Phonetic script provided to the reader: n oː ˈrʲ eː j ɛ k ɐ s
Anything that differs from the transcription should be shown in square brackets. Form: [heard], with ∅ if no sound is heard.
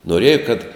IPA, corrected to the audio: n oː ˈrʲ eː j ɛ k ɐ [t]